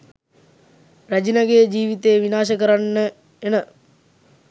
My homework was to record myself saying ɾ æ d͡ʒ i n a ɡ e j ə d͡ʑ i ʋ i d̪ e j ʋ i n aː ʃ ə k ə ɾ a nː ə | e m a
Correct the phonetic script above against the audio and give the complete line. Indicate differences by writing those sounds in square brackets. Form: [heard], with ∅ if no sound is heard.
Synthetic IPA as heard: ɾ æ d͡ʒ i n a ɡ e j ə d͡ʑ [iː] ʋ i [t̪] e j ʋ i n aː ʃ ə k ə ɾ a nː ə | e [n] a